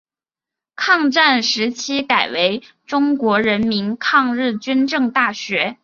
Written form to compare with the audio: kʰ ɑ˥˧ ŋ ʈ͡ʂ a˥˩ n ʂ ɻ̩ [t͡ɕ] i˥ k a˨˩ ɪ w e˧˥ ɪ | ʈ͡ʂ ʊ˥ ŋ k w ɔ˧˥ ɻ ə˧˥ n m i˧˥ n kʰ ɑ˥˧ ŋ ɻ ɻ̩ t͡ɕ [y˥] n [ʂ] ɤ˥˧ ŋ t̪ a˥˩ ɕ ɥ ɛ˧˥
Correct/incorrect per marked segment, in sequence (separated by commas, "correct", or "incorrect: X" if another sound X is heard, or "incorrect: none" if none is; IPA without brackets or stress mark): incorrect: t͡ɕʰ, correct, incorrect: ʈ͡ʂ